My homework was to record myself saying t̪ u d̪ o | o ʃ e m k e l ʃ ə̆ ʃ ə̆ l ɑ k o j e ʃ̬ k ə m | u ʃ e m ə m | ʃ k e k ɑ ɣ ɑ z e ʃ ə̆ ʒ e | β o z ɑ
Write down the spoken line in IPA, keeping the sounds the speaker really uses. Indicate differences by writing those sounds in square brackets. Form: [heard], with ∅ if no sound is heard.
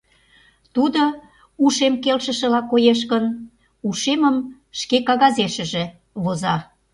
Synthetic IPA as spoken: t̪ u d̪ o | [u] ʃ e m k e l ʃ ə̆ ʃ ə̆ l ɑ k o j e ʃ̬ k ə [n] | u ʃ e m ə m | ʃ k e k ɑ ɣ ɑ z e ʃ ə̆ ʒ e | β o z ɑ